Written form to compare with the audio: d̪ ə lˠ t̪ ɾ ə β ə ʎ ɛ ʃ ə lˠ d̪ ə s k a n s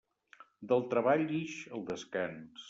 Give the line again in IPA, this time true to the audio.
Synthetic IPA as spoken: d̪ ə lˠ t̪ ɾ ə β a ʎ i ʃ ə lˠ d̪ ə s k a n s